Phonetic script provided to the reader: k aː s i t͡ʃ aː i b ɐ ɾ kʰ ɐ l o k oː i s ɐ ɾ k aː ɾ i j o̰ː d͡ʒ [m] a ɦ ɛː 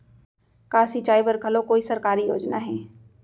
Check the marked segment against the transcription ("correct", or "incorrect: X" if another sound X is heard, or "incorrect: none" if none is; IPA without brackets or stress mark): incorrect: n